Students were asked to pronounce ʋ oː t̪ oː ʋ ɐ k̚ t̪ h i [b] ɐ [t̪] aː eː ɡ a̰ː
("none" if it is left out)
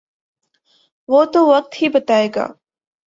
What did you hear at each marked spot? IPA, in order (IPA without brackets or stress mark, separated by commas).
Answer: b, t̪